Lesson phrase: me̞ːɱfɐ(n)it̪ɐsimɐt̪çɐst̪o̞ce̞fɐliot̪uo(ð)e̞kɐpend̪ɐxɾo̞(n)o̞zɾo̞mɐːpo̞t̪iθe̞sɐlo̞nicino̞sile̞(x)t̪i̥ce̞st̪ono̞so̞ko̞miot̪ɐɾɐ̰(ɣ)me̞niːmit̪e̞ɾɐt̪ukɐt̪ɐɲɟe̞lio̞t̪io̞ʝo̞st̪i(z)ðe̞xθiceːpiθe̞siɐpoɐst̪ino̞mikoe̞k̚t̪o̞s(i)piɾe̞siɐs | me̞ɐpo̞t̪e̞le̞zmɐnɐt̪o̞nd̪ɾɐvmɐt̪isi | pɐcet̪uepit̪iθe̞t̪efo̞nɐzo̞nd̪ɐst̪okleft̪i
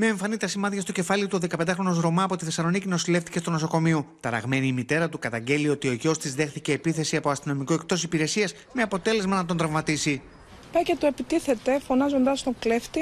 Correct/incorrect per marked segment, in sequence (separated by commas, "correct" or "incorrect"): correct, correct, correct, incorrect, correct, correct, correct